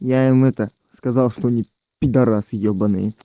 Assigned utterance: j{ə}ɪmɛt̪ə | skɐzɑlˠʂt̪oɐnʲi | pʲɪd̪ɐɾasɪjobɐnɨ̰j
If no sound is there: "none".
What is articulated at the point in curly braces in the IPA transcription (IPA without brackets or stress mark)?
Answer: a